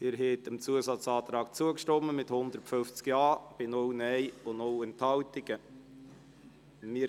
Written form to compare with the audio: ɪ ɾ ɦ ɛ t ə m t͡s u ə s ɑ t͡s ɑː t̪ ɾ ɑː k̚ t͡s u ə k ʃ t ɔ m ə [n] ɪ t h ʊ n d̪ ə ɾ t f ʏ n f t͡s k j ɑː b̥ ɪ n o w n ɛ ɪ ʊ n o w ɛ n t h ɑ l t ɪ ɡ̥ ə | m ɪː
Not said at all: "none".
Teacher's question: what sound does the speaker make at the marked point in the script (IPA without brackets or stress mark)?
m